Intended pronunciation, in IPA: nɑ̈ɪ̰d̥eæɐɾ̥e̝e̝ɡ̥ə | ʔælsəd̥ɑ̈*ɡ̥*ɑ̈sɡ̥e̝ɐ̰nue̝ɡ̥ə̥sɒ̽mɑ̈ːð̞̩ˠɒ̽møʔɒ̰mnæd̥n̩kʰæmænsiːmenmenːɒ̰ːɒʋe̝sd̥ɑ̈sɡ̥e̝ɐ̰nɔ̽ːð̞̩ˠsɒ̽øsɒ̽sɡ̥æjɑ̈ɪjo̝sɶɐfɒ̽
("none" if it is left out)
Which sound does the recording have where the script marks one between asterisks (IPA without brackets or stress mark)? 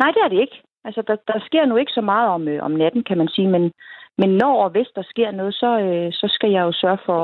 d̥